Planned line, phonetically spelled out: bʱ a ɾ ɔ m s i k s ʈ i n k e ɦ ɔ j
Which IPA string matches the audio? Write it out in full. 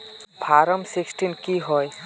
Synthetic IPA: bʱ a ɾ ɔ m s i k s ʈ i n k i ɦ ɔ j